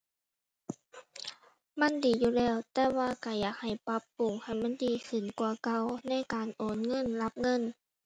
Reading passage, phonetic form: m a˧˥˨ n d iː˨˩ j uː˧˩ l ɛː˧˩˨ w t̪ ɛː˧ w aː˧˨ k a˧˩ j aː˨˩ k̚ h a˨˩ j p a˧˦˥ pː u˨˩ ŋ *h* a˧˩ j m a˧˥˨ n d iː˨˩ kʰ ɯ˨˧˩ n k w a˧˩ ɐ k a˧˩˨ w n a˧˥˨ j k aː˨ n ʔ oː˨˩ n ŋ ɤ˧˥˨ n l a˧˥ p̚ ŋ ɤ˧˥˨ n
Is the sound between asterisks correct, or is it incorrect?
correct